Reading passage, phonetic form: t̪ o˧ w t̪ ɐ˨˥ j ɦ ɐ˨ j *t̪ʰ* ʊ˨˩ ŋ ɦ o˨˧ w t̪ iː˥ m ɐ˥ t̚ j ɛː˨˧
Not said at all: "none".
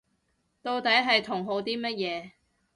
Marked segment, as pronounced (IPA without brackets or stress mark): t̪ʰ